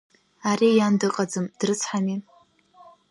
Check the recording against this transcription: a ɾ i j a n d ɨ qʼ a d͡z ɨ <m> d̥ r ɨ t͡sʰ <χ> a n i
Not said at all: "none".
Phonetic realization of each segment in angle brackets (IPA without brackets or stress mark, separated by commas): m, ħ